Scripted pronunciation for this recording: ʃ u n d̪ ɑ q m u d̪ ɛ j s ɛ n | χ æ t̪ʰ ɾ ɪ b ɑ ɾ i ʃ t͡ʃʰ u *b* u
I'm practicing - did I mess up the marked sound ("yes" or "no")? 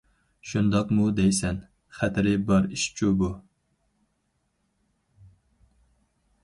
no